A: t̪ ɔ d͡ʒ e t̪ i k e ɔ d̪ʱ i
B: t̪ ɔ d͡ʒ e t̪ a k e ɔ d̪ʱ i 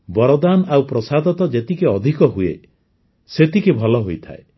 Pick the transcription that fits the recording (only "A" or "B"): A